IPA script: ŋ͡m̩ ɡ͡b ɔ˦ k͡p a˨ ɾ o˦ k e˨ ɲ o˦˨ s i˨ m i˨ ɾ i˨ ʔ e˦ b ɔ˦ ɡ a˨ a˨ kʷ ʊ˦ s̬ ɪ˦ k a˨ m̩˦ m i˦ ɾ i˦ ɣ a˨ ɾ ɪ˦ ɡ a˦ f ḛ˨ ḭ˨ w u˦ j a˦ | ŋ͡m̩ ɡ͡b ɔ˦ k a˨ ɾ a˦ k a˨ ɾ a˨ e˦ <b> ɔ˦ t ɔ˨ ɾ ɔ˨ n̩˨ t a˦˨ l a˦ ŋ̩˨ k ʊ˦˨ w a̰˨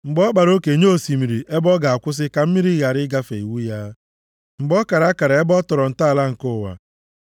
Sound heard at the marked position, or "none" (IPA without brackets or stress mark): b